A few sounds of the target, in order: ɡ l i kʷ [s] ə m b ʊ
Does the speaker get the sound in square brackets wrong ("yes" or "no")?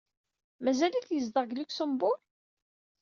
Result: no